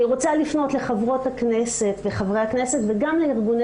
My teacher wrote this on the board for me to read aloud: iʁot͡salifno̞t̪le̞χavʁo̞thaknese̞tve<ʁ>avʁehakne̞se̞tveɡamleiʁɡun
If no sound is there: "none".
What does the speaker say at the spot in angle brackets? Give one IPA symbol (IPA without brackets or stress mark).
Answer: χ